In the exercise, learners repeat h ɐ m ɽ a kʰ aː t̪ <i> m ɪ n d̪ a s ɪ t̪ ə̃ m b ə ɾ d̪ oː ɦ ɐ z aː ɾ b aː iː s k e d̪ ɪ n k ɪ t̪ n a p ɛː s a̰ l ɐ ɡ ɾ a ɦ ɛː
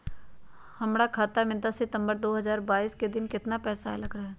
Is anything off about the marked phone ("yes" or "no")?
yes